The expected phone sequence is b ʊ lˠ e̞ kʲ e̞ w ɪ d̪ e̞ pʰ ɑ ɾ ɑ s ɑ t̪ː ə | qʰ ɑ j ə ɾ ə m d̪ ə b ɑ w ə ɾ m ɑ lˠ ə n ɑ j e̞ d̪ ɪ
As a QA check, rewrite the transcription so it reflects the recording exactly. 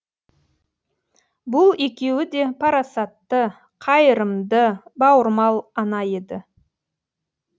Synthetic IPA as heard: b ʊ lˠ e̞ kʲ e̞ w ɪ d̪ e̞ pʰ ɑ ɾ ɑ s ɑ t̪ː ə | qʰ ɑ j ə ɾ ə m d̪ ə b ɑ w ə ɾ m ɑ lˠ ɑ n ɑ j e̞ d̪ ɪ

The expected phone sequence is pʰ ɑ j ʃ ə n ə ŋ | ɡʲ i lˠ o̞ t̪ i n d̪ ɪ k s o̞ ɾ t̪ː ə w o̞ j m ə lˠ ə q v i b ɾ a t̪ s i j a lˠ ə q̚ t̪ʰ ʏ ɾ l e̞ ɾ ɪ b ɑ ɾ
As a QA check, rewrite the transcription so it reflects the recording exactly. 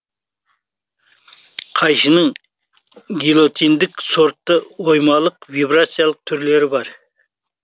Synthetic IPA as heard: qʰ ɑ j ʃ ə n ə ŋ | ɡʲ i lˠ o̞ t̪ i n d̪ ɪ k s o̞ ɾ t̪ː ə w o̞ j m ɑ lˠ ə q v i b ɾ a t̪ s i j a lˠ ə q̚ t̪ʰ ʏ ɾ l e̞ ɾ ɪ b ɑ ɾ

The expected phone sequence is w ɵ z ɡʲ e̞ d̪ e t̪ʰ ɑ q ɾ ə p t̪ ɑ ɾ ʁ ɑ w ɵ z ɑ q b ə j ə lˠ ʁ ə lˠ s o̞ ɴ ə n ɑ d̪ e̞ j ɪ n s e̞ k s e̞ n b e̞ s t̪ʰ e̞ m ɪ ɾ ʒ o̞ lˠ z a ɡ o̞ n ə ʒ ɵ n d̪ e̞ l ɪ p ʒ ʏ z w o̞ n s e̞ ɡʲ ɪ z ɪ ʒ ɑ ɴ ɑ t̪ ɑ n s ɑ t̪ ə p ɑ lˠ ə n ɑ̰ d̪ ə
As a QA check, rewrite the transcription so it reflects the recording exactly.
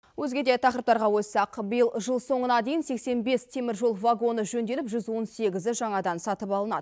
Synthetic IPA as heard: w ɵ z ɡʲ e̞ d̪ e t̪ʰ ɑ q ɾ ə p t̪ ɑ ɾ ʁ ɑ w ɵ s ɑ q b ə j ə lˠ ʒ ə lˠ s o̞ ɴ ə n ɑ d̪ e̞ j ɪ n s e̞ k s e̞ n b e̞ s t̪ʰ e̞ m ɪ ɾ ʒ o̞ lˠ v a ɡ o̞ n ə ʒ ɵ n d̪ e̞ l ɪ p ʒ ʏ z w o̞ n s e̞ ɡʲ ɪ z ɪ ʒ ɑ ɴ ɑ d̪ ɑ n s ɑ t̪ ə p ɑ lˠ ə n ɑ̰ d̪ ə

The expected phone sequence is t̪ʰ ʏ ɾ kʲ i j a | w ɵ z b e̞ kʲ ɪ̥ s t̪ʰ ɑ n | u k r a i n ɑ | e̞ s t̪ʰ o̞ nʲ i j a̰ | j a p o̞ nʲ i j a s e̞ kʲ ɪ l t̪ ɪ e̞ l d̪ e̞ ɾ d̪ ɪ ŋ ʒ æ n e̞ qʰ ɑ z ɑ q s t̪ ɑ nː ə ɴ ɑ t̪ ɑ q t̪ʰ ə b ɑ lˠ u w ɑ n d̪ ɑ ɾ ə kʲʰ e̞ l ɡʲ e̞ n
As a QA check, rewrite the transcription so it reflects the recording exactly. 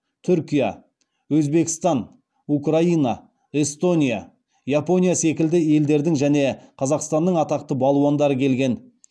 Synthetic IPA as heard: t̪ʰ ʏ ɾ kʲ i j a | w ɵ z b e̞ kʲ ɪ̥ s t̪ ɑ n | u k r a i n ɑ | e̞ s t̪ o̞ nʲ i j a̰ | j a p o̞ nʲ i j a s e̞ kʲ ɪ l d̪ ɪ e̞ l d̪ e̞ ɾ d̪ ɪ ŋ ʒ æ n e̞ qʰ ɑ z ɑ q s t̪ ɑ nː ə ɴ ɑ t̪ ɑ q t̪ ə b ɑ lˠ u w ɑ n d̪ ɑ ɾ ə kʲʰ e̞ l ɡʲ e̞ n

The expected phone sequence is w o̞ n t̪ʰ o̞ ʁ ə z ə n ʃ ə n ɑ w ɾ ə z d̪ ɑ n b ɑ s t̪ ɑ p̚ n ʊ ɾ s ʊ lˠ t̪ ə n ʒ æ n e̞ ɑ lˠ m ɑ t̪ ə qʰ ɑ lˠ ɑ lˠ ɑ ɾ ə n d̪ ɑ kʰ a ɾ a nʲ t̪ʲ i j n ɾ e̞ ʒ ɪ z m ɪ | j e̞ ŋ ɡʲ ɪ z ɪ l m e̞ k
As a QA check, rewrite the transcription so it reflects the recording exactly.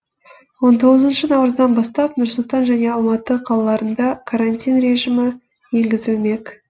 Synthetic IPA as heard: w o̞ n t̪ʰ o̞ ʁ ə z ə n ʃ ə n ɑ w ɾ ə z d̪ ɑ n b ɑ s t̪ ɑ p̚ n ʊ ɾ s ʊ lˠ t̪ ɑ n ʒ æ n e̞ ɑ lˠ m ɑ t̪ ə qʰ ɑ lˠ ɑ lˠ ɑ ɾ ə n d̪ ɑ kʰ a ɾ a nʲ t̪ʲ i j n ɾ e̞ ʒ ɪ m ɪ | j e̞ ŋ ɡʲ ɪ z ɪ l m e̞ k

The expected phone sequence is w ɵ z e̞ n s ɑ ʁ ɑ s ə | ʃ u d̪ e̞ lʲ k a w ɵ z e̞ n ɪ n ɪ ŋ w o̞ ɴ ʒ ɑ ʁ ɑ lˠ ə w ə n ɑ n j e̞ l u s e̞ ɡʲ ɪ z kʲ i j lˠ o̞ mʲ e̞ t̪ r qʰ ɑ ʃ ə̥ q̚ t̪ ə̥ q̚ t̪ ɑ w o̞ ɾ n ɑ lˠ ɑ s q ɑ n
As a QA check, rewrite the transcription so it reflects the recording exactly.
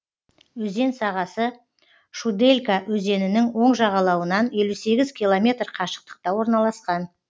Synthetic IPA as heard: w ɵ z e̞ n s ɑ ʁ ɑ s ə | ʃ u d̪ e̞ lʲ k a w ɵ z e̞ n ɪ n ɪ ŋ w o̞ ɴ ʒ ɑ ʁ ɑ lˠ ɑ w ə n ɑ n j e̞ l u s e̞ ɡʲ ɪ z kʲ i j lˠ o̞ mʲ e̞ t̪ r qʰ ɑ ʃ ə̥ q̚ t̪ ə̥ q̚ t̪ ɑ w o̞ ɾ n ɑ lˠ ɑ s q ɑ n

